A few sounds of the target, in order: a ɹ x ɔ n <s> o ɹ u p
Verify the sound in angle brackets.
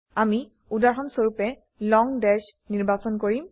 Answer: correct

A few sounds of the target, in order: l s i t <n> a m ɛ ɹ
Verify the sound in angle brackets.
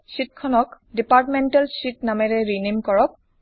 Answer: correct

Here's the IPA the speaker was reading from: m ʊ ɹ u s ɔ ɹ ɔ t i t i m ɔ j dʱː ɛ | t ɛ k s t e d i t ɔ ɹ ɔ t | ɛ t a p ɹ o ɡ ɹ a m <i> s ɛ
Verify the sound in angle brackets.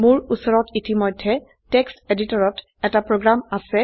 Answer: incorrect: a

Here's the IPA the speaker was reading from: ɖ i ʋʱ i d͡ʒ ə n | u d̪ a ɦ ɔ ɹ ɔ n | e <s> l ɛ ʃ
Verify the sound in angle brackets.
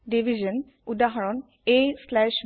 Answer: correct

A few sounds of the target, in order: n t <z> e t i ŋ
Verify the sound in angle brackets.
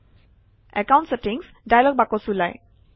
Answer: incorrect: s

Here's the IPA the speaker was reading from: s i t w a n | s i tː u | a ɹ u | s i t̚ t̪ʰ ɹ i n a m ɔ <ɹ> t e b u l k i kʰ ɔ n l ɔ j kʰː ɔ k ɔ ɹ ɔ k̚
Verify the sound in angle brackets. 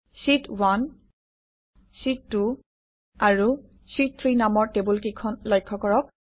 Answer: correct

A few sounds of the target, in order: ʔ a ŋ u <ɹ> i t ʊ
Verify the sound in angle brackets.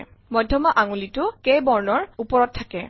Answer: incorrect: l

